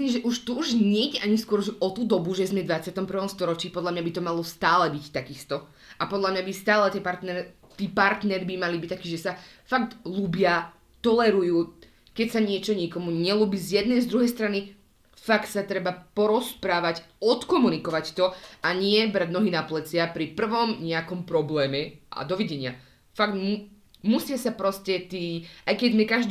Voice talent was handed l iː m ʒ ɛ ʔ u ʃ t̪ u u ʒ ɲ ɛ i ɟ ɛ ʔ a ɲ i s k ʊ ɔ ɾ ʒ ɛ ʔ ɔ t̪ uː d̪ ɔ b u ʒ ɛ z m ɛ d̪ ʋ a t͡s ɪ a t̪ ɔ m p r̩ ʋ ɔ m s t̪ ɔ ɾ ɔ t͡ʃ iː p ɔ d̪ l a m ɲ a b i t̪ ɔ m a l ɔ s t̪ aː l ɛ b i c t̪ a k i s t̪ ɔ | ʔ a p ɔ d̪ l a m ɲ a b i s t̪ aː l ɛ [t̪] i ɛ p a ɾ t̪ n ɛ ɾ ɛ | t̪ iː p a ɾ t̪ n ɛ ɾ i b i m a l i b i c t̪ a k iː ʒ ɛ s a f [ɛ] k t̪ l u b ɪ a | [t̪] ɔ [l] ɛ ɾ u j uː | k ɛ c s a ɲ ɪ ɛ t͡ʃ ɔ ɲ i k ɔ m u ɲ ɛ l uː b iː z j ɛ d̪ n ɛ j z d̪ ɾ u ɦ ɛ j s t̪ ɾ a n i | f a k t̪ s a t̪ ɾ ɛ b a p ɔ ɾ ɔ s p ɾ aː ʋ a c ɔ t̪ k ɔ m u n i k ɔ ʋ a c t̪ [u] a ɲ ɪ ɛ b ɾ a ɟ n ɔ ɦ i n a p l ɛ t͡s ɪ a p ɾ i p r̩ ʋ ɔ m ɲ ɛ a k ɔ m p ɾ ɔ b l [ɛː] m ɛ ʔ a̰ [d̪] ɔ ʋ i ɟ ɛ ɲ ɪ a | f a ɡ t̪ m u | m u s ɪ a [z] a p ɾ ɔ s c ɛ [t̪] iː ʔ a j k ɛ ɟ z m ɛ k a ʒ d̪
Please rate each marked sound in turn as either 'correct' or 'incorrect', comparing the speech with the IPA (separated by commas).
correct, incorrect, correct, correct, incorrect, correct, correct, incorrect, correct